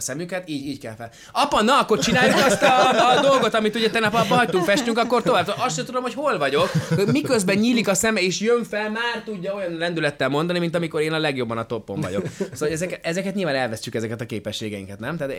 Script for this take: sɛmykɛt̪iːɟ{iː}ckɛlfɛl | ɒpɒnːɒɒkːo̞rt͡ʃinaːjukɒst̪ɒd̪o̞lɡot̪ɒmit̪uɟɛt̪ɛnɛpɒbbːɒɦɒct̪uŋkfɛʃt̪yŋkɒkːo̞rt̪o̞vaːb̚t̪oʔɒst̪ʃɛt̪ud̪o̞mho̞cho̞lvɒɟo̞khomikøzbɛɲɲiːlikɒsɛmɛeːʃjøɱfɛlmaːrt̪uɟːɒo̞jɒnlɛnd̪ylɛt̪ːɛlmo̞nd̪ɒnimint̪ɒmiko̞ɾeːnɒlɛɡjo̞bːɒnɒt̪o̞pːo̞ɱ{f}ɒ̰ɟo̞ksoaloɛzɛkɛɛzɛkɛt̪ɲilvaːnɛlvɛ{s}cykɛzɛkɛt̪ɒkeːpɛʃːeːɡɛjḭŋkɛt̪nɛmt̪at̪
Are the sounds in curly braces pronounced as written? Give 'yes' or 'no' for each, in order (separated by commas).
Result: yes, no, yes